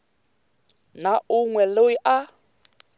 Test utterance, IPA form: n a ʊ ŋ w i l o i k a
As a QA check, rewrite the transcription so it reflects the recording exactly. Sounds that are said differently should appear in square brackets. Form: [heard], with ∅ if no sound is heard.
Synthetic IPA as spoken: n a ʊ ŋ w [ɛ] l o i [ʔ] a